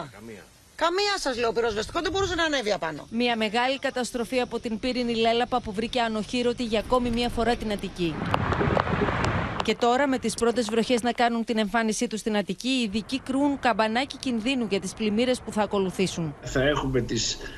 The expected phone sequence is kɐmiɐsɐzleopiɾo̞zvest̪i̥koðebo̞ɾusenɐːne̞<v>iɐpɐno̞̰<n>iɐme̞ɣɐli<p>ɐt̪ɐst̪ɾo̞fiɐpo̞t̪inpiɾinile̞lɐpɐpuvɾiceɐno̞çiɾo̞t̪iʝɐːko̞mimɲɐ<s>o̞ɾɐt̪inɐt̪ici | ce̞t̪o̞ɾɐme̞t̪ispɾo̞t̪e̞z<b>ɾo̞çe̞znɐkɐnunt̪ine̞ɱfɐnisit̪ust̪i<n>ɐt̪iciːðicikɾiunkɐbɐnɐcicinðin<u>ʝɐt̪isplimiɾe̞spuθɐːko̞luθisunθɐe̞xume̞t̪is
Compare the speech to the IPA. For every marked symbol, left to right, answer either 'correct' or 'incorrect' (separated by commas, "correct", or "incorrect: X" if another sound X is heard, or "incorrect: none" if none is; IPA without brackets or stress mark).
correct, incorrect: m, incorrect: k, incorrect: f, incorrect: v, correct, correct